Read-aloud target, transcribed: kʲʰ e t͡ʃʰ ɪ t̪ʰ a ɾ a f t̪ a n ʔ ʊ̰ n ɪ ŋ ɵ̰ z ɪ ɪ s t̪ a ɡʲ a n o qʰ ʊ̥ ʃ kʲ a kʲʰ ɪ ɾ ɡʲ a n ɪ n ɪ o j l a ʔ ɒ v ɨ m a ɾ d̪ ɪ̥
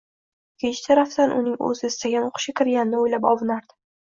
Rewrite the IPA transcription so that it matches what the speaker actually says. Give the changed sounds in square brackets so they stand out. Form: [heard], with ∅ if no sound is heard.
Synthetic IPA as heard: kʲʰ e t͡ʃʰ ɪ t̪ʰ a ɾ a f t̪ a n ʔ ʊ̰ n ɪ ŋ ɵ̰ z ɪ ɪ s t̪ a ɡʲ a n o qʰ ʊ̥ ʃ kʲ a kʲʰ ɪ ɾ ɡʲ a n ɪ n ɪ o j l a [p] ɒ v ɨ [n] a ɾ d̪ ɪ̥